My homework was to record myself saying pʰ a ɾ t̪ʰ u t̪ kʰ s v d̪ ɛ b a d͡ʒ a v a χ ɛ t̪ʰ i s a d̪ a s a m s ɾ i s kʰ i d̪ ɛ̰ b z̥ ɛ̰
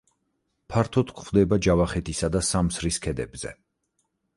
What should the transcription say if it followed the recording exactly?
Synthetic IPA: pʰ a ɾ t̪ʰ ɔ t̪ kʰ χ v d̪ ɛ b a d͡ʒ a v a χ ɛ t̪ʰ i s a d̪ a s a m s ɾ i s kʰ ɛ d̪ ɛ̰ b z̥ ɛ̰

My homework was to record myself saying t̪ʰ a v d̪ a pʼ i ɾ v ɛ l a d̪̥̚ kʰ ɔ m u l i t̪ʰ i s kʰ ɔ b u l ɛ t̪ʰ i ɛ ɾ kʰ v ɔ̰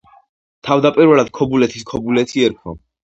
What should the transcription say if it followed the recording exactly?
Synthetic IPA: t̪ʰ a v d̪ a pʼ i ɾ v ɛ l a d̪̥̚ kʰ ɔ b u l ɛ t̪ʰ i s kʰ ɔ b u l ɛ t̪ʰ i ɛ ɾ kʰ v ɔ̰

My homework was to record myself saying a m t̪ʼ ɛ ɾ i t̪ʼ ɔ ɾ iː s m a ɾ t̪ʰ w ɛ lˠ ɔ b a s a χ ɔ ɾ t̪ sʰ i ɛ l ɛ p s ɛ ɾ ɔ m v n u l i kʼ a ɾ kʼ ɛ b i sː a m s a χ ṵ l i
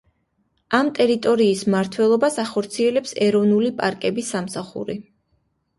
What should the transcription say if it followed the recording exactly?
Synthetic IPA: a m t̪ʼ ɛ ɾ i t̪ʼ ɔ ɾ iː s m a ɾ t̪ʰ w ɛ lˠ ɔ b a s a χ ɔ ɾ t̪ sʰ i ɛ l ɛ p s ɛ ɾ ɔ v n u l i pʼ a ɾ kʼ ɛ b i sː a m s a χ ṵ ɾ i

